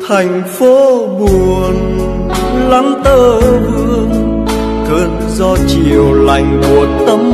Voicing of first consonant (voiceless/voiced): voiceless